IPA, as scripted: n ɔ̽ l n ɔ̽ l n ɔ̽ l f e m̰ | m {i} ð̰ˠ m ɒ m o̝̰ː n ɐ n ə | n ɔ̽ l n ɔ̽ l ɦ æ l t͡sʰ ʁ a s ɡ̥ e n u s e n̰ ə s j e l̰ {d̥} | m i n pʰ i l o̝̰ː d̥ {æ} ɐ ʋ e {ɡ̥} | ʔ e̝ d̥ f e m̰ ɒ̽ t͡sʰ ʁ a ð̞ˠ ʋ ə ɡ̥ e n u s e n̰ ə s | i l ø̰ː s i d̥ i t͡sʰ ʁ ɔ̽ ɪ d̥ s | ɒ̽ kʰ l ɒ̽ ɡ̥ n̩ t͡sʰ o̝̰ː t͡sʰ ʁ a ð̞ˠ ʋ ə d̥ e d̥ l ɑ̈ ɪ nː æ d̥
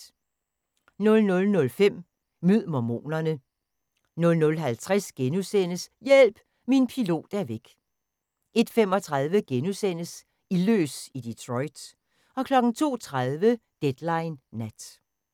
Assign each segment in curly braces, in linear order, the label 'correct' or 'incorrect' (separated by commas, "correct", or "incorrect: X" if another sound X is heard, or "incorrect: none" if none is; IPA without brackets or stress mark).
incorrect: y, incorrect: b̥, correct, correct